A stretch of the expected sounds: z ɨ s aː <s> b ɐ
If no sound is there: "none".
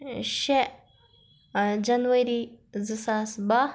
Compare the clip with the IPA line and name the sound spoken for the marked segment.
s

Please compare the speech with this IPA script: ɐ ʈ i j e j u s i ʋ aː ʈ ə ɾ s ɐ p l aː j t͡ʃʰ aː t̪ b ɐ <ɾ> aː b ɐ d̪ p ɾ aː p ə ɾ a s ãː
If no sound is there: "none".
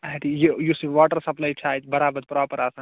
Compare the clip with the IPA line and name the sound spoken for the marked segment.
ɾ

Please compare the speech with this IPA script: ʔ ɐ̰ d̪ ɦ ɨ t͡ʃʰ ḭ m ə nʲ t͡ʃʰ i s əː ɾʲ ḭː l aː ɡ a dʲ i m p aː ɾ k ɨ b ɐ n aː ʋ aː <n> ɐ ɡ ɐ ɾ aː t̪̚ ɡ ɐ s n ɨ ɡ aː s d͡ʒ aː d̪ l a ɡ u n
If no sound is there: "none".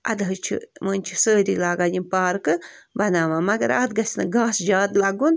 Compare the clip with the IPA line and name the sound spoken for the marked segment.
m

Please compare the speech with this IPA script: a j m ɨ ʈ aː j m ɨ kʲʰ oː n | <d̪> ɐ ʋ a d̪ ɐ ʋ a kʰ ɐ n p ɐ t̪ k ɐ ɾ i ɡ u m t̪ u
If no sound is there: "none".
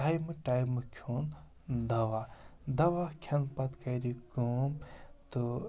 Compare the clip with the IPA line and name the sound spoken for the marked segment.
d̪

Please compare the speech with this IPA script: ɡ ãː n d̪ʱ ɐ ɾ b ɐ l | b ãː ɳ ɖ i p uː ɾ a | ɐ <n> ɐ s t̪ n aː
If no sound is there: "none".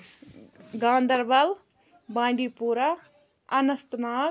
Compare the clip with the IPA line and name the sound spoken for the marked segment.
n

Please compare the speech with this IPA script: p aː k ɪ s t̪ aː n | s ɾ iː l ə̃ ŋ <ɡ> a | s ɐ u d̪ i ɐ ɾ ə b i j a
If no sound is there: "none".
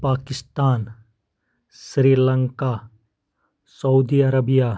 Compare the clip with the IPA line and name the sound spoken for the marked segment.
k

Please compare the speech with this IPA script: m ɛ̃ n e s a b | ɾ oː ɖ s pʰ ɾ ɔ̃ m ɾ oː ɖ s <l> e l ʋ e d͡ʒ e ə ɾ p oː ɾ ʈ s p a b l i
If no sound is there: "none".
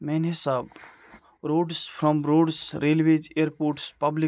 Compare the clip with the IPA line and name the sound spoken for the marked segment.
ɾ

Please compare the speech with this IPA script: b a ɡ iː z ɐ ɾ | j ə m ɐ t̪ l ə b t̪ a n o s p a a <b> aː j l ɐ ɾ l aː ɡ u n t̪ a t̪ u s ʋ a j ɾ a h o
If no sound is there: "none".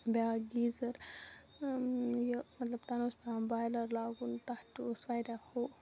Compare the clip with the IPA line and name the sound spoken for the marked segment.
b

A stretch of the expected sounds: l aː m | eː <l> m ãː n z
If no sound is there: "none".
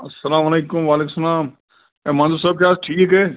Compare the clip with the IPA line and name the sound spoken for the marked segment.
none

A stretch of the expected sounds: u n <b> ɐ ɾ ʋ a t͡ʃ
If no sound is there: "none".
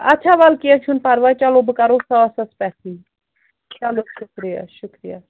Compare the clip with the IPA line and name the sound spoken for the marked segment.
p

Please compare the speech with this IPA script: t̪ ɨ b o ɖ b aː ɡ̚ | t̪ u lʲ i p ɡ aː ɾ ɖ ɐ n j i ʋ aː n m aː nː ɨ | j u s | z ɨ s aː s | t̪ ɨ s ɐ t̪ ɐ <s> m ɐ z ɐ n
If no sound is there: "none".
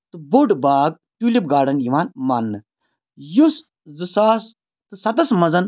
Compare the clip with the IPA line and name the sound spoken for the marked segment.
s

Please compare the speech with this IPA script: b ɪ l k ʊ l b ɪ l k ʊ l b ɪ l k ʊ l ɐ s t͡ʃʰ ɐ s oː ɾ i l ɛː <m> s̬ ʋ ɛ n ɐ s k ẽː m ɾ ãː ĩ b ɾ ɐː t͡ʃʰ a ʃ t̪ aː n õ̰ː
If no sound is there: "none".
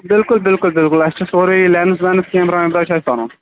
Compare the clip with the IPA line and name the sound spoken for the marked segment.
n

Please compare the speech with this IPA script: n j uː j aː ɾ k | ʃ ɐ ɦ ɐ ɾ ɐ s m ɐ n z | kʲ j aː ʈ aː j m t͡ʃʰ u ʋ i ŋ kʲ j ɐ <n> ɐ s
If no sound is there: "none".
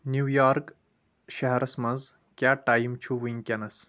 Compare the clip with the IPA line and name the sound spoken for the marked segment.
n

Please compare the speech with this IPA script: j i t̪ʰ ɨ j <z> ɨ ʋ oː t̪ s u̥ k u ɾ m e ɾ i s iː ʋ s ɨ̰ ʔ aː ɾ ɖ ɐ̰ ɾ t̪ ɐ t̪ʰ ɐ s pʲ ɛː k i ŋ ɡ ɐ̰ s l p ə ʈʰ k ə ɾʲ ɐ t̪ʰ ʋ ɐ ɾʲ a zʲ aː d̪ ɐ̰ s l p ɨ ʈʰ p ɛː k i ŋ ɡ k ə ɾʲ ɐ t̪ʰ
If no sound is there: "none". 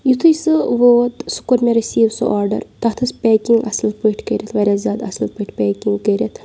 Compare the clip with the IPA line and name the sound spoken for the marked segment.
s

